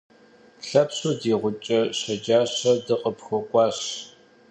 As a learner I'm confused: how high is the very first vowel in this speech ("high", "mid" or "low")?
low